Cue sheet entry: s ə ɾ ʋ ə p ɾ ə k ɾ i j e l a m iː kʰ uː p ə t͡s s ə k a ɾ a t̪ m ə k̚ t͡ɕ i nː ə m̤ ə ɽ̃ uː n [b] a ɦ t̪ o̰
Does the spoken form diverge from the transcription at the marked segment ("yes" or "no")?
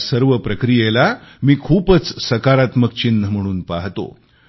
yes